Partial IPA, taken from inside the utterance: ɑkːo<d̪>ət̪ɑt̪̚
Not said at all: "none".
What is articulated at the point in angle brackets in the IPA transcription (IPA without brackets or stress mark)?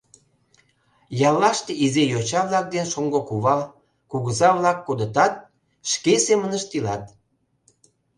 d̪